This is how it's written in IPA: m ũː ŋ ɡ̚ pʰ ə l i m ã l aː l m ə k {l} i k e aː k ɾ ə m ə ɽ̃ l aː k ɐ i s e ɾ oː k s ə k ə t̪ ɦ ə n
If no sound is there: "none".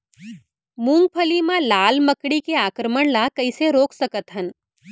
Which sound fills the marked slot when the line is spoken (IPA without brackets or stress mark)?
ɽ